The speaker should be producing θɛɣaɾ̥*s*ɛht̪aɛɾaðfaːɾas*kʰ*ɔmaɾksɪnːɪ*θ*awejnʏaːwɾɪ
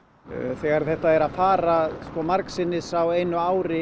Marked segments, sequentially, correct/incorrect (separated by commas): incorrect, incorrect, incorrect